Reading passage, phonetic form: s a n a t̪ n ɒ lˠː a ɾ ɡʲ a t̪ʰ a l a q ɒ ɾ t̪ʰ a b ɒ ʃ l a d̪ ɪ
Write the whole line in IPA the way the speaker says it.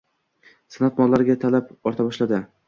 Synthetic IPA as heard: s a n a t̪ m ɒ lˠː a ɾ ɡʲ a t̪ʰ a l a p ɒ ɾ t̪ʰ a b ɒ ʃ l a d̪ ɪ